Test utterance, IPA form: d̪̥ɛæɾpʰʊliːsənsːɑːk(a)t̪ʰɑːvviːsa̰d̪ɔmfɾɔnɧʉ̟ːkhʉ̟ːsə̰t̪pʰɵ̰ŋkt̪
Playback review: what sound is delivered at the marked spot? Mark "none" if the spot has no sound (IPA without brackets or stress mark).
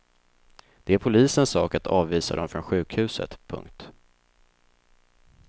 a